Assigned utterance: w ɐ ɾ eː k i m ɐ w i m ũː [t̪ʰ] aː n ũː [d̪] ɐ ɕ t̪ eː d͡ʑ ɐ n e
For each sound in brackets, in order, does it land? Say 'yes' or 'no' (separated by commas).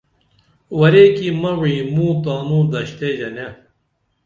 no, yes